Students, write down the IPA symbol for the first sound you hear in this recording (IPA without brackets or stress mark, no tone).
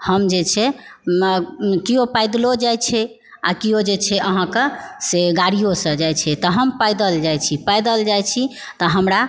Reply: h